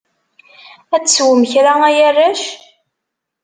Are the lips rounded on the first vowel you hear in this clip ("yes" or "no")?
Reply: no